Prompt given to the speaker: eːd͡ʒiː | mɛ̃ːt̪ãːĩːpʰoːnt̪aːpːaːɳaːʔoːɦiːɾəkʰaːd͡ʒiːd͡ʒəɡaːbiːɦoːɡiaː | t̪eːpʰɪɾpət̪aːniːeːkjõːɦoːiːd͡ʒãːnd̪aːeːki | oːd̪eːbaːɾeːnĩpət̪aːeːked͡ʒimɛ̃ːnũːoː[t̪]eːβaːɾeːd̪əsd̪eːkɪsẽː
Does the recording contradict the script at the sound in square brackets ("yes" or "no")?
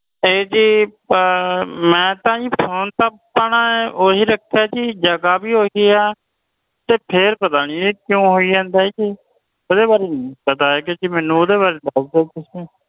yes